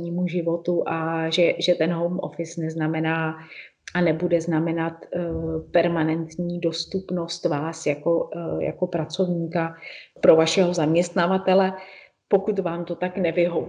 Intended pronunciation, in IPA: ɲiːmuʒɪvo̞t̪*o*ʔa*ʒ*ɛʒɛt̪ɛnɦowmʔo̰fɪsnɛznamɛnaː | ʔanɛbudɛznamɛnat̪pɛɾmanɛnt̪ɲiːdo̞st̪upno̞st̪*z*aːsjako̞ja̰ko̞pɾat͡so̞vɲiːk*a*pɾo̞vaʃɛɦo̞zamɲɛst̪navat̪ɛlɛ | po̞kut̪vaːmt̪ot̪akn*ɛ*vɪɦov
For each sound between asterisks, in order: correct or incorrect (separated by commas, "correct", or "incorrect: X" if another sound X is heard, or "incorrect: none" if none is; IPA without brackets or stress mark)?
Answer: incorrect: u, correct, incorrect: v, correct, correct